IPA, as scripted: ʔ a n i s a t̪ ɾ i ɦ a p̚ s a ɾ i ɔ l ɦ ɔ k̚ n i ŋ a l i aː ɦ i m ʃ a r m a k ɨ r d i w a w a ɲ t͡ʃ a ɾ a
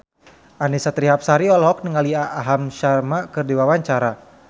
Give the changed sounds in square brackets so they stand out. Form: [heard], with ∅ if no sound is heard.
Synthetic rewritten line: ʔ a n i s a t̪ ɾ i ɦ a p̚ s a ɾ i ɔ l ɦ ɔ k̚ n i ŋ a l i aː ɦ [a] m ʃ a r m a k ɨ r d i w a w a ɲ t͡ʃ a ɾ a